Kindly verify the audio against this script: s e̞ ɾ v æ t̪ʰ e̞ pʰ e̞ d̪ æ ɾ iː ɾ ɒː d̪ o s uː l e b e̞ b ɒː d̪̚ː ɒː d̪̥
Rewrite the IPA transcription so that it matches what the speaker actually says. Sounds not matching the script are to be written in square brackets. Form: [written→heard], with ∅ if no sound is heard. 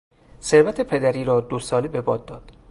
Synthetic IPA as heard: s e̞ ɾ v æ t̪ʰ e̞ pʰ e̞ d̪ æ ɾ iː ɾ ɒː d̪ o s [uː→ɒː] l e b e̞ b ɒː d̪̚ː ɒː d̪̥